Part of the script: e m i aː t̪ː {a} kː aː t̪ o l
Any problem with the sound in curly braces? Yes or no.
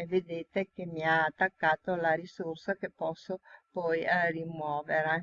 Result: no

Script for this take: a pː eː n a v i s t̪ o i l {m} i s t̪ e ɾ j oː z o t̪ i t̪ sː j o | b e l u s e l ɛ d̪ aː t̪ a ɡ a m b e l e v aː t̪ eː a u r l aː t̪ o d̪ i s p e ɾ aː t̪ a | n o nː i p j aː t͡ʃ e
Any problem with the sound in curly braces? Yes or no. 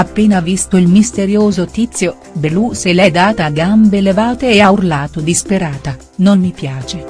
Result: no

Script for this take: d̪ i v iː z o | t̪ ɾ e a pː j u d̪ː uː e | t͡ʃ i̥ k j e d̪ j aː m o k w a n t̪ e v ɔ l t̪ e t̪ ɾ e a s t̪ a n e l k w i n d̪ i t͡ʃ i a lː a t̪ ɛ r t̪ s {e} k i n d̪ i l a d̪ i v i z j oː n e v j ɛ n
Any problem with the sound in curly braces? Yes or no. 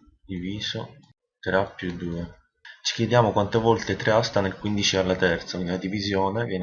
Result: yes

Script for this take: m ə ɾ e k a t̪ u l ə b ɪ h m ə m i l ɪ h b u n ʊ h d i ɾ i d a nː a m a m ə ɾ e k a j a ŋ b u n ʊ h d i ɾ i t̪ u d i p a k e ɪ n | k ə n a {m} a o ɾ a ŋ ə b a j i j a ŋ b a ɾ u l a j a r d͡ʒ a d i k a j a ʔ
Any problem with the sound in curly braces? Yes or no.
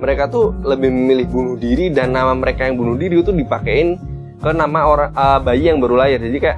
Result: no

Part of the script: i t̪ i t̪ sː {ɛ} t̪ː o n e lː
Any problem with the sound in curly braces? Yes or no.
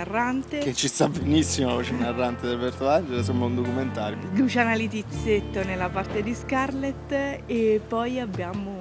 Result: yes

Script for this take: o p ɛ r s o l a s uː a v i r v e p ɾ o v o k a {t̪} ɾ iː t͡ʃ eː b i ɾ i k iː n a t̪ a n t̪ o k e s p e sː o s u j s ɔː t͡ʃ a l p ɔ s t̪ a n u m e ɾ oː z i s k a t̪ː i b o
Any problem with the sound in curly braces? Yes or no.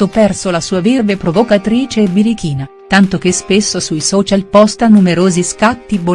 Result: no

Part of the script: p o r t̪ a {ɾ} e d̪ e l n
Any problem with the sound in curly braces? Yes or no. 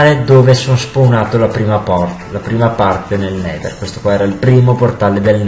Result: yes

